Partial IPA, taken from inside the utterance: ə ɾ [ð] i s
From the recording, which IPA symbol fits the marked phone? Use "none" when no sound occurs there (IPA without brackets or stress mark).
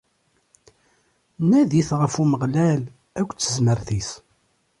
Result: θ